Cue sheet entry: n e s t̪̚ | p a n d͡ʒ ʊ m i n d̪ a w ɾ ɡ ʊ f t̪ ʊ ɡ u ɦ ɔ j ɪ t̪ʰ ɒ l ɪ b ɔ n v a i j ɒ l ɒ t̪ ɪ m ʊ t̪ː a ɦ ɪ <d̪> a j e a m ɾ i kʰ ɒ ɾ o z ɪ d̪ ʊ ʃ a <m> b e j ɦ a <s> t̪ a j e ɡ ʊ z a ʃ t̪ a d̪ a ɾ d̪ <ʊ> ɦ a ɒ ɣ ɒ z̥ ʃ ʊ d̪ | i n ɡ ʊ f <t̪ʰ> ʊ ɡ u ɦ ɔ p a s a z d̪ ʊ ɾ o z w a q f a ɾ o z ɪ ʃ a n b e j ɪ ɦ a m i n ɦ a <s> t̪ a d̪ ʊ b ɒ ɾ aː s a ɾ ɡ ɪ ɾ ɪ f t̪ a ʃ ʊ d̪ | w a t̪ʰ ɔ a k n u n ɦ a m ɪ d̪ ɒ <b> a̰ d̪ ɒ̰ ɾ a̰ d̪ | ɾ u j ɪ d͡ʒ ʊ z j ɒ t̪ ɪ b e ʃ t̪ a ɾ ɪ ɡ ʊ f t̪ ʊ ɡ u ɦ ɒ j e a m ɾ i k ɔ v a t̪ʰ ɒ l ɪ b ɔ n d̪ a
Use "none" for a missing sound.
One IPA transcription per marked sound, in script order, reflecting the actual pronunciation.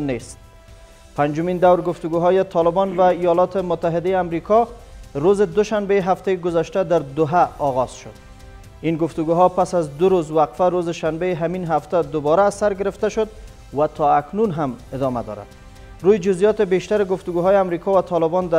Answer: d̪, n, f, ʊ, t̪, f, m

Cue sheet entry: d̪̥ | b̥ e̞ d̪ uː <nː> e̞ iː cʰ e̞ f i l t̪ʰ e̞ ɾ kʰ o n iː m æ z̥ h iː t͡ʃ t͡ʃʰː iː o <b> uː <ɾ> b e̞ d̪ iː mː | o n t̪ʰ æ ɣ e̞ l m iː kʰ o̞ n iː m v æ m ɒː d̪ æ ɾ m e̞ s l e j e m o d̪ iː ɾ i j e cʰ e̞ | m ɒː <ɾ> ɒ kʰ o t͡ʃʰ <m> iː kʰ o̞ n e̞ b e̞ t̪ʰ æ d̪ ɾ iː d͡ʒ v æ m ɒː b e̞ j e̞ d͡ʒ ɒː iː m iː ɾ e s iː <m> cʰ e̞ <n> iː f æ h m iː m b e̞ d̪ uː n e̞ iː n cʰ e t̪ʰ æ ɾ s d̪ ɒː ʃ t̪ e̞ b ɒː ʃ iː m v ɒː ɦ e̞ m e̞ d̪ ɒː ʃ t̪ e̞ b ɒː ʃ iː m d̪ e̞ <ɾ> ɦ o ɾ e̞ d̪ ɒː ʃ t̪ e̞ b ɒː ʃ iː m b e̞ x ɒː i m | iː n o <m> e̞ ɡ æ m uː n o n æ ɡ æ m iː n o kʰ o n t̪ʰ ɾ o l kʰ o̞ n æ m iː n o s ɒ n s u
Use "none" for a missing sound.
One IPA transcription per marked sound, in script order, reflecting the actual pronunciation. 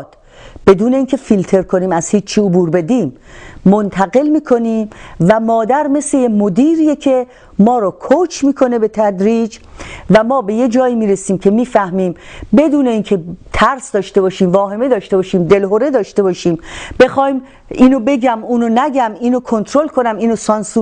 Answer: n, b, ɾ, ɾ, m, m, m, l, b

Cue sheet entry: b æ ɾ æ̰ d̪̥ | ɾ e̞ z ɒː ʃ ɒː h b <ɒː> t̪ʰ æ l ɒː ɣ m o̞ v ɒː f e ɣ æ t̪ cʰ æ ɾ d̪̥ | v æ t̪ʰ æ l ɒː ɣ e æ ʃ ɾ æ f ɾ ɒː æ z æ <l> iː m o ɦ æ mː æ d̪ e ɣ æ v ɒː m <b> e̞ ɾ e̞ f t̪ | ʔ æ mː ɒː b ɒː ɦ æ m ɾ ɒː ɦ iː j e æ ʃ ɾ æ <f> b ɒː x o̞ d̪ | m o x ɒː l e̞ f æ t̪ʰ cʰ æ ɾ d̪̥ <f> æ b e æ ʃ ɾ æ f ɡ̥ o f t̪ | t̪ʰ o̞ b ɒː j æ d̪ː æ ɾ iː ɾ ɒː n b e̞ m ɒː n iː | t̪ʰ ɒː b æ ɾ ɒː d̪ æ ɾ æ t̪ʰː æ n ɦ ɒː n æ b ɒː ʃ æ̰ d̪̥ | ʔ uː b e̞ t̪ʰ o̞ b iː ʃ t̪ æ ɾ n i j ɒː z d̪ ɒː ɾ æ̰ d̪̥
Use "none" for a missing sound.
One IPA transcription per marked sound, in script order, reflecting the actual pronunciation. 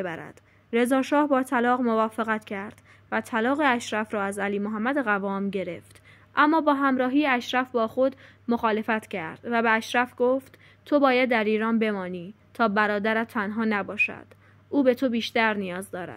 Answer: ɒː, l, ɟ, f, v

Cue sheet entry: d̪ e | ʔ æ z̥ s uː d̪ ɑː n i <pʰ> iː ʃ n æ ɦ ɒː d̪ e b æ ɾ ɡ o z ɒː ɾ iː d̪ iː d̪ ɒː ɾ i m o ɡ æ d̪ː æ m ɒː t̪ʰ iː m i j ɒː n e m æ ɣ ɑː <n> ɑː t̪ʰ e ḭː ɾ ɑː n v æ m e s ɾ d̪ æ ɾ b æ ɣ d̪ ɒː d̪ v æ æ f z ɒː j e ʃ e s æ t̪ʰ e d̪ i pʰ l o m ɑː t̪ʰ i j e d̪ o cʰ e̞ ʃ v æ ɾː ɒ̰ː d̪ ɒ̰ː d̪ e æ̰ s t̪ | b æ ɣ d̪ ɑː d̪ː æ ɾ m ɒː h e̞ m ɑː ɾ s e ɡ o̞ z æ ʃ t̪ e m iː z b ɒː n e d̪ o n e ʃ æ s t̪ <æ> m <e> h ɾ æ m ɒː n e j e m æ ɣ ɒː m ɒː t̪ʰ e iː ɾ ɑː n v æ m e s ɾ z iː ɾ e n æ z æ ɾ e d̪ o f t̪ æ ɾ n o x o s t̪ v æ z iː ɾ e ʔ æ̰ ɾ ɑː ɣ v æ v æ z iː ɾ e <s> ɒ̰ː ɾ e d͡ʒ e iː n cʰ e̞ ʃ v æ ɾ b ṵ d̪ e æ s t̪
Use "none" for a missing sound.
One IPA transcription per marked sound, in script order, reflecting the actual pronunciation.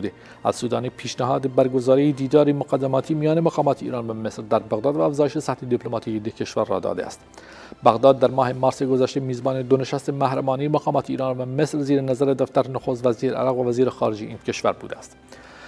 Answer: pʰ, m, e, æ, x

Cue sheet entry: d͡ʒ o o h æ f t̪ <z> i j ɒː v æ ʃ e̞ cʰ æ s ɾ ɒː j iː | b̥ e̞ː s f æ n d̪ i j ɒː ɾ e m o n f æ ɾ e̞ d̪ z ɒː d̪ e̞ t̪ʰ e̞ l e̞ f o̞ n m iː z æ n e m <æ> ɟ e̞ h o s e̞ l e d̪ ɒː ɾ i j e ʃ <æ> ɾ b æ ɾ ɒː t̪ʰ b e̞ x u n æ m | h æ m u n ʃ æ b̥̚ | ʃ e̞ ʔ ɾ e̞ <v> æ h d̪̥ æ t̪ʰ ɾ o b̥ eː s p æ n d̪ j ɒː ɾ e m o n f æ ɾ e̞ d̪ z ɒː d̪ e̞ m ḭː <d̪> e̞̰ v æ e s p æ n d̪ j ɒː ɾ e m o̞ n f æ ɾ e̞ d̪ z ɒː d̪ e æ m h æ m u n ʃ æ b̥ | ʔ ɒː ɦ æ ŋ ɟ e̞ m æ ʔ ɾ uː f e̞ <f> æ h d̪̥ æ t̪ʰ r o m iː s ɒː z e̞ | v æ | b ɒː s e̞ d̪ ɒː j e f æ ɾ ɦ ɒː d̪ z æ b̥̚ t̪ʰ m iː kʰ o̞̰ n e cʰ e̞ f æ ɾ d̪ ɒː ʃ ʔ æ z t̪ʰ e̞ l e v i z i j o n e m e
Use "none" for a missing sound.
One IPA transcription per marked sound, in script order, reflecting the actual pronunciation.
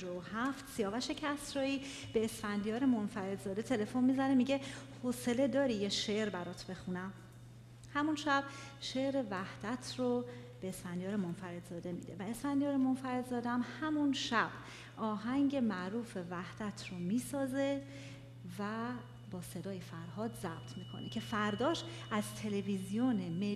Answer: s, i, e, v, d̪, v

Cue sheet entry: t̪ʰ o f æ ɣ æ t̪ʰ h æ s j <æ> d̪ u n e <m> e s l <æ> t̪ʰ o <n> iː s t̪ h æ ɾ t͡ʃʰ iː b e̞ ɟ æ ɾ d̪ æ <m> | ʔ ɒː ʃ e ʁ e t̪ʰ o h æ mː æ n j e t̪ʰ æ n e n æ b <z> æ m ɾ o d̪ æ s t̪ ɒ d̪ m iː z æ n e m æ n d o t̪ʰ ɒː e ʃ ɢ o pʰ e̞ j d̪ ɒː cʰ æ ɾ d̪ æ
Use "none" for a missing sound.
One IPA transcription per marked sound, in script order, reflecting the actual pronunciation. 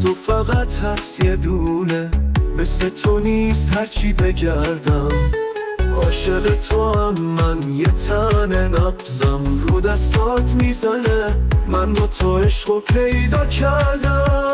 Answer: e, m, e, n, m, z

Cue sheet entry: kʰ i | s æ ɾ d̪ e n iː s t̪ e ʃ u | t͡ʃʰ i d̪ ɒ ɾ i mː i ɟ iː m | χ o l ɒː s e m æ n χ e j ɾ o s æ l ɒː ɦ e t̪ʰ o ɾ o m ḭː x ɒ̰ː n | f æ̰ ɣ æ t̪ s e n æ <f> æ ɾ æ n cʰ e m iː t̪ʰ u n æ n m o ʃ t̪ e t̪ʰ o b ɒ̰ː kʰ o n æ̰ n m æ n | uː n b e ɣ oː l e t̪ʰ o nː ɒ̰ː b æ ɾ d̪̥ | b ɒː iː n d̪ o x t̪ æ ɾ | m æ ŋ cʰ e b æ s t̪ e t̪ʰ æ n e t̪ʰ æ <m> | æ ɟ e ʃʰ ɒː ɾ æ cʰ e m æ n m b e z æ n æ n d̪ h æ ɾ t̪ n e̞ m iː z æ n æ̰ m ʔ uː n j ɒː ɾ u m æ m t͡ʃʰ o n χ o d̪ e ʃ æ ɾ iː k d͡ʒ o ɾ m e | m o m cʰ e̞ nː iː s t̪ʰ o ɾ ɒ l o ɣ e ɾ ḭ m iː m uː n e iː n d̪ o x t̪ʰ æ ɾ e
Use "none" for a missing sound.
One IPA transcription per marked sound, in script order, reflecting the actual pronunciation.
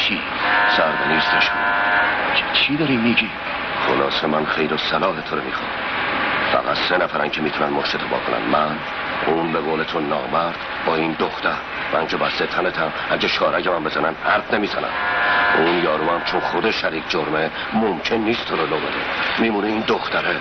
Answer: f, m

